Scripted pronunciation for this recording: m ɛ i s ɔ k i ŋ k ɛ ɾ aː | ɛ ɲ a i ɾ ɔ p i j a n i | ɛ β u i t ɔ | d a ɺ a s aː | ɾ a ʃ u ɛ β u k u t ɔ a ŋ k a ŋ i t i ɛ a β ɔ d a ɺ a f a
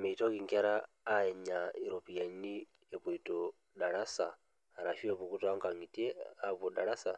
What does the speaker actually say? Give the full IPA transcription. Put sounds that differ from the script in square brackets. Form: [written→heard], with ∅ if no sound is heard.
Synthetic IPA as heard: m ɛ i [s→t] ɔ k i ŋ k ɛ ɾ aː | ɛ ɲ a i ɾ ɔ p i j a n i | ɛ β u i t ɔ | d a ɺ a s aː | ɾ a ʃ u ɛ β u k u t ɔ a ŋ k a ŋ i t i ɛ a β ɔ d a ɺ a [f→s] a